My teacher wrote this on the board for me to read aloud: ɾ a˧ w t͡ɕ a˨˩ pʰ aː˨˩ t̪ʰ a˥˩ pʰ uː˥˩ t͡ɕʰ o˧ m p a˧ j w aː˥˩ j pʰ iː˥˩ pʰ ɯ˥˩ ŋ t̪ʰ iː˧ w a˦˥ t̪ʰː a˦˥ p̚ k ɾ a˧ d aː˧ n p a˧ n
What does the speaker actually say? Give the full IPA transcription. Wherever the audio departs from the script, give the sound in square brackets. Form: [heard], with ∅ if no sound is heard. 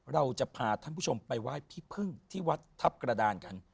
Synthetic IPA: ɾ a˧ w t͡ɕ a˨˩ pʰ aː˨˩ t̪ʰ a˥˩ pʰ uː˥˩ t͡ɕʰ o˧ m p a˧ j w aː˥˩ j pʰ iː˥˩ pʰ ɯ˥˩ ŋ t̪ʰ [iː˥˩] w a˦˥ t̪ʰː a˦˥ p̚ k ɾ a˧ d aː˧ n [k] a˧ n

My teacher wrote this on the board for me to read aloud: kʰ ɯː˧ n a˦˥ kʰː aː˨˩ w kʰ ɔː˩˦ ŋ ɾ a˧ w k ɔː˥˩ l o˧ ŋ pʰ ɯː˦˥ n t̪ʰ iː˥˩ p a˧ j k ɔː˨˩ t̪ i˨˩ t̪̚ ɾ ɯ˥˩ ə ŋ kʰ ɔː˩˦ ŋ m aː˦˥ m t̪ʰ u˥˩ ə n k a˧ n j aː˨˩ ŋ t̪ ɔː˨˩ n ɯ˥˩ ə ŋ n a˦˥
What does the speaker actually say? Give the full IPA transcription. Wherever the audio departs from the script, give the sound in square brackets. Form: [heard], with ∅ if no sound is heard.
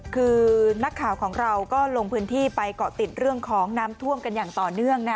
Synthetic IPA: kʰ ɯː˧ n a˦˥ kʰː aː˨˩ w kʰ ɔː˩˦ ŋ ɾ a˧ w k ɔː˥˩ l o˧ ŋ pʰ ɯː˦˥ n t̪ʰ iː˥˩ p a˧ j k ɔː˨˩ t̪ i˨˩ t̪̚ ɾ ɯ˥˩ ə ŋ kʰ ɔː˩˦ ŋ [n] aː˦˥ m t̪ʰ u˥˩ ə [m] k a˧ n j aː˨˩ ŋ t̪ ɔː˨˩ n ɯ˥˩ ə ŋ n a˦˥

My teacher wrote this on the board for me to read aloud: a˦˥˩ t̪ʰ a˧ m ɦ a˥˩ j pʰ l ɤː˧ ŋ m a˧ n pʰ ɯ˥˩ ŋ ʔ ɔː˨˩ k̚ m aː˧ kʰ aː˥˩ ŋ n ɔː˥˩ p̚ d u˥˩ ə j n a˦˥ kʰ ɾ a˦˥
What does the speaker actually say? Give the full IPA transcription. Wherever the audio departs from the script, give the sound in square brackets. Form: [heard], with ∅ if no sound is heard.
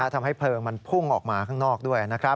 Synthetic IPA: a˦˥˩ t̪ʰ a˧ m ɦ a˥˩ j pʰ l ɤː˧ ŋ m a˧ n pʰ [u˥˩] ŋ ʔ ɔː˨˩ k̚ m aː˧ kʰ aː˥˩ ŋ n ɔː˥˩ [k̚] d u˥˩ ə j n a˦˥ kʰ ɾ a˦˥

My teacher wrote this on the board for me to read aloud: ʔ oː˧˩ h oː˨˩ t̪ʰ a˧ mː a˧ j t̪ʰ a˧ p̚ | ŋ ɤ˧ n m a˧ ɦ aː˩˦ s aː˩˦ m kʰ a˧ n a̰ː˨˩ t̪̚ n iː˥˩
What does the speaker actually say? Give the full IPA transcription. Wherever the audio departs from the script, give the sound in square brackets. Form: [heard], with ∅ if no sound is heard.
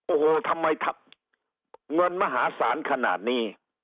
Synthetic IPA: ʔ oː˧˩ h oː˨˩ t̪ʰ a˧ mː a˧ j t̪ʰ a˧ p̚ | ŋ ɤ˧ n m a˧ ɦ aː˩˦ s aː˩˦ [n] kʰ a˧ n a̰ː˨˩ t̪̚ n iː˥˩

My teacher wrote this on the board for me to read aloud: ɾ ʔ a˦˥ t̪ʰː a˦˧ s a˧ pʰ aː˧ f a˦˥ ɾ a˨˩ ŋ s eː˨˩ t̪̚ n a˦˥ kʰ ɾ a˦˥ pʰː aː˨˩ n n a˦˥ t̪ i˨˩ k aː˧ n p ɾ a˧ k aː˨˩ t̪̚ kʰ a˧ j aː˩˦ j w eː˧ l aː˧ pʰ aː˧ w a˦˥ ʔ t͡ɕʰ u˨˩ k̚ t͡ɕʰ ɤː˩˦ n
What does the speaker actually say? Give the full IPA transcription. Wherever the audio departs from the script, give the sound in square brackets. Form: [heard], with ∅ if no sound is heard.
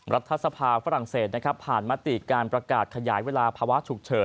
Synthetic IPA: ɾ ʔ a˦˥ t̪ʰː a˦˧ s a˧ pʰ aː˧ f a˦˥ ɾ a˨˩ ŋ s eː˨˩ t̪̚ n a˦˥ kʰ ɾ a˦˥ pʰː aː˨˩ n [m] a˦˥ t̪ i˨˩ k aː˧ n p ɾ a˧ k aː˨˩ t̪̚ kʰ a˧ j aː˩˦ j w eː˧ l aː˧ pʰ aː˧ w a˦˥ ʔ t͡ɕʰ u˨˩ k̚ t͡ɕʰ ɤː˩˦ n

